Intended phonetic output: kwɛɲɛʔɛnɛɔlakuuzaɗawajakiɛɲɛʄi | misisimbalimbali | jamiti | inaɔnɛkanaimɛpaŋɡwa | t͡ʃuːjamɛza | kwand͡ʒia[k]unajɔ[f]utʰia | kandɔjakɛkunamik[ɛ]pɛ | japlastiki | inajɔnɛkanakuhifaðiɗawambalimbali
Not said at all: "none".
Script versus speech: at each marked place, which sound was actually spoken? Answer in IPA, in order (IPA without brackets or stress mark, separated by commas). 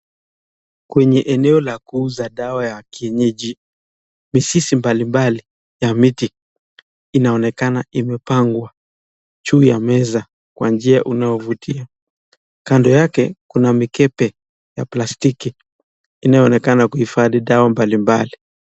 ʔ, v, ɛ